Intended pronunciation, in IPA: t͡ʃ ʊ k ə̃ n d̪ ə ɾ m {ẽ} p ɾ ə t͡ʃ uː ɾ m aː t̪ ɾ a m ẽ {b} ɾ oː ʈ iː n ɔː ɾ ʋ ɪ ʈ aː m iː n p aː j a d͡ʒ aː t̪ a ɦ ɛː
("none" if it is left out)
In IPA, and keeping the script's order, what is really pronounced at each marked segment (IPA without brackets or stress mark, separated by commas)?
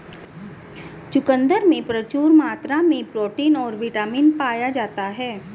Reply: ẽ, p